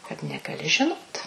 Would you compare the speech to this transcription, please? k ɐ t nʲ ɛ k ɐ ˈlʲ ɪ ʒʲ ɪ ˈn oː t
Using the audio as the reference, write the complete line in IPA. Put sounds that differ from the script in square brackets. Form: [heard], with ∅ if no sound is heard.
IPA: k ɐ t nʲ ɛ [ɡ] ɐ ˈlʲ ɪ ʒʲ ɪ ˈn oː t